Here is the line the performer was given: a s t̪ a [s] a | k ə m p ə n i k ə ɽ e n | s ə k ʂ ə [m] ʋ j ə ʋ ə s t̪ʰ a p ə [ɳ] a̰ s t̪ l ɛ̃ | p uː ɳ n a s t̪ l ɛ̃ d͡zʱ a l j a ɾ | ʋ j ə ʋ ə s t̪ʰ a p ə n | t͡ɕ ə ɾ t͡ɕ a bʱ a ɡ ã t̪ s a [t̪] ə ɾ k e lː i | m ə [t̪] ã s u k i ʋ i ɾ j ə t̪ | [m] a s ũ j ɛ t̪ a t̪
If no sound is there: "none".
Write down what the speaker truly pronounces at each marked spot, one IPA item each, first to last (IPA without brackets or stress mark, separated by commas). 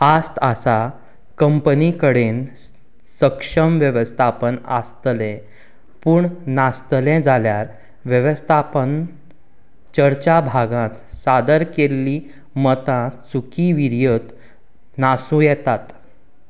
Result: s, m, n, d̪, t̪, n